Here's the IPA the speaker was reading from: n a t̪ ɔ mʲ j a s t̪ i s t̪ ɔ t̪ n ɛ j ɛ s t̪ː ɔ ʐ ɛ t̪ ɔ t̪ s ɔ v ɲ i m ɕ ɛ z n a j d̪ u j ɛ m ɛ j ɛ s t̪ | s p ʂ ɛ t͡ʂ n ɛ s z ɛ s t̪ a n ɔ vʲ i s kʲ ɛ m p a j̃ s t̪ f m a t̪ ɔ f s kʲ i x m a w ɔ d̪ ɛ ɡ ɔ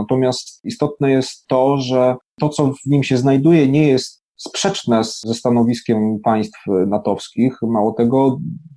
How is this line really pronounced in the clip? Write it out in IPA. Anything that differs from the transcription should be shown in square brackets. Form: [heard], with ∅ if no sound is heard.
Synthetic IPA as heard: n a t̪ ɔ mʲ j a s t̪ i s t̪ ɔ t̪ n ɛ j ɛ s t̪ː ɔ ʐ ɛ t̪ ɔ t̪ s ɔ v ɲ i m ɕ ɛ z n a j d̪ u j ɛ [ɲ] ɛ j ɛ s t̪ | s p ʂ ɛ t͡ʂ n ɛ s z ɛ s t̪ a n ɔ vʲ i s kʲ ɛ m p a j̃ s t̪ f [n] a t̪ ɔ f s kʲ i x m a w ɔ [t̪] ɛ ɡ ɔ